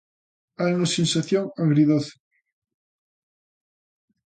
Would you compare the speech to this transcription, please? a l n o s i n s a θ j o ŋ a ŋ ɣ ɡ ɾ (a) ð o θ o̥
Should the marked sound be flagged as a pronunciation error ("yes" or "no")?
yes